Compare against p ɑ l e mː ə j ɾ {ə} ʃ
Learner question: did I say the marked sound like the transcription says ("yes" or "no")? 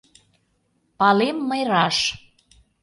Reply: no